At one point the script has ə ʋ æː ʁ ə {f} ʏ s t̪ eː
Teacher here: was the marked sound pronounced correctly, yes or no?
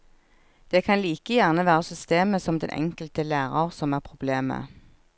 no